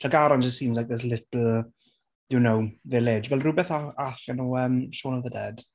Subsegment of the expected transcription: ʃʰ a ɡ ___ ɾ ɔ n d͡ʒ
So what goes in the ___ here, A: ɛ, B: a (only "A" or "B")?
B